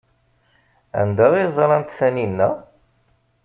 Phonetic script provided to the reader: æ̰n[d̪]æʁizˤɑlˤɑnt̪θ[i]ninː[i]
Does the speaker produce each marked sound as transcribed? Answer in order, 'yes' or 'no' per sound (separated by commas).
yes, no, no